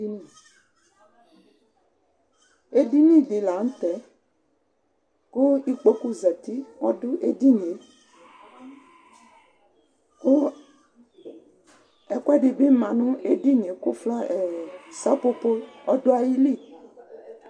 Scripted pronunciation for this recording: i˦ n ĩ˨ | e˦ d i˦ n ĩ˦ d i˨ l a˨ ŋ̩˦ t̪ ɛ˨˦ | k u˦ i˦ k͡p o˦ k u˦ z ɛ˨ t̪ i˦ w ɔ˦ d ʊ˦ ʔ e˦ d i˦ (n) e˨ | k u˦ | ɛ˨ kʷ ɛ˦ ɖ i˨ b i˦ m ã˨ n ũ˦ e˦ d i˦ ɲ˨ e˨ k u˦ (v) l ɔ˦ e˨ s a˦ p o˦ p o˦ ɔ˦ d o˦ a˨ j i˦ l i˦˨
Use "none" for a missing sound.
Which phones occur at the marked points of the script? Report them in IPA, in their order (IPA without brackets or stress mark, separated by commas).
ɲ, f